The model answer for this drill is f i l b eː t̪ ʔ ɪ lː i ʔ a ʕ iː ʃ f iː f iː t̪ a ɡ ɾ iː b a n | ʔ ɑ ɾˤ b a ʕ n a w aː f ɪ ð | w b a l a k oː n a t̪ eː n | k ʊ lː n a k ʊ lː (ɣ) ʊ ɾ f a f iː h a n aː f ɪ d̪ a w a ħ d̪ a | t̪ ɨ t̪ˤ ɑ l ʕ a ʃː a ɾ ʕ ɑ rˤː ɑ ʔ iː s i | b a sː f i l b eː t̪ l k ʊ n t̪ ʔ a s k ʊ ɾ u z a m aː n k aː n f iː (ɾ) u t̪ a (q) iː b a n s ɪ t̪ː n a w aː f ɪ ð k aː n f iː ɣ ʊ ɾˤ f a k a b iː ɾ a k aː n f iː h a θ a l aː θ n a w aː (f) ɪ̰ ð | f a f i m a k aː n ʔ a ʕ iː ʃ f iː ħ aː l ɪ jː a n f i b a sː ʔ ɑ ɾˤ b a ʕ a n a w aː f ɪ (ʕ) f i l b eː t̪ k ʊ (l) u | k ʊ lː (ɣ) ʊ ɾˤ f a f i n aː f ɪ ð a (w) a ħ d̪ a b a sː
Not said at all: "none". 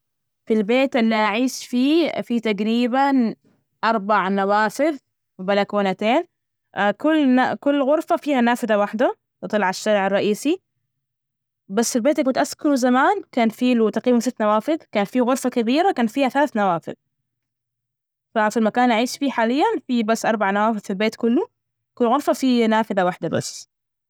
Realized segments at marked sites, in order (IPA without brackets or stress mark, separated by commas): ɣ, l, q, f, ð, lː, ɣ, w